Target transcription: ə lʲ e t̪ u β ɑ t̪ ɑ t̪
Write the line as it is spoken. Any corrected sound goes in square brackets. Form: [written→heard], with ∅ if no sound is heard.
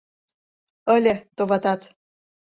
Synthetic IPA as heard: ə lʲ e t̪ [u→o] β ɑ t̪ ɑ t̪